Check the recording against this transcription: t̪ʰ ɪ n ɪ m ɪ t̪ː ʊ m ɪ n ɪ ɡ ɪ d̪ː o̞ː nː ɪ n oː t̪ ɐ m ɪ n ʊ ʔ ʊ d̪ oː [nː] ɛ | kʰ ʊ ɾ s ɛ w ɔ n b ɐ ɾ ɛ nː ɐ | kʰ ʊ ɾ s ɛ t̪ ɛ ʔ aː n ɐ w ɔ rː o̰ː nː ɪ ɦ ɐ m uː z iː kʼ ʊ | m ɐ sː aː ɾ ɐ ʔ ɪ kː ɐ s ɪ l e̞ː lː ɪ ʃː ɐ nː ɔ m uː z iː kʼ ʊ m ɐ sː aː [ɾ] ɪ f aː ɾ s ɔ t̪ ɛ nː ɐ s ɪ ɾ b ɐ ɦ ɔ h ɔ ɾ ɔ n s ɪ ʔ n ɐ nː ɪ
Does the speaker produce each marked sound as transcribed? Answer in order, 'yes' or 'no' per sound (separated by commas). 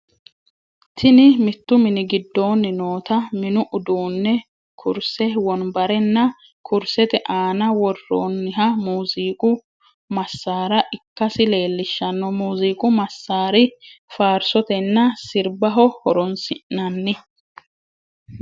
yes, yes